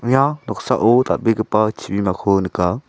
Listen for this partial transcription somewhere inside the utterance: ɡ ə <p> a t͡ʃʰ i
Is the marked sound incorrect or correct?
correct